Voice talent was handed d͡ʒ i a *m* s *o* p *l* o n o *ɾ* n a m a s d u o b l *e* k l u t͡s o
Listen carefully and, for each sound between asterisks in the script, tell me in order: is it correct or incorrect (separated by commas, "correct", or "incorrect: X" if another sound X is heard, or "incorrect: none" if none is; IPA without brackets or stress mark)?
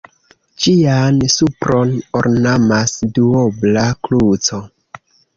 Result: incorrect: n, incorrect: u, incorrect: ɾ, correct, incorrect: a